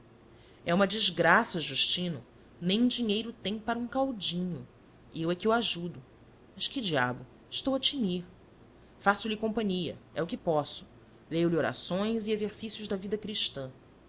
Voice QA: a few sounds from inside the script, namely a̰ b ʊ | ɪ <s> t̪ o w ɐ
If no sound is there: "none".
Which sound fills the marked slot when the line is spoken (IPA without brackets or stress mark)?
ʃ